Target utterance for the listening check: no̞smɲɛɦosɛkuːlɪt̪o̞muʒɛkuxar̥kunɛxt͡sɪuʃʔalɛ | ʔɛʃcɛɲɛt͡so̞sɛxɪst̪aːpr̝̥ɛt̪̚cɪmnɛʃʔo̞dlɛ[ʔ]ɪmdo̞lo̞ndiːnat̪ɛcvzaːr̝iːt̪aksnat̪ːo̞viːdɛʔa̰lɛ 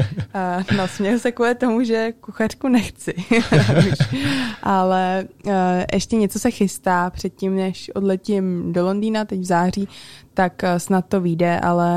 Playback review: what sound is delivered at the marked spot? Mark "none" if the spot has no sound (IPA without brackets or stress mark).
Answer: c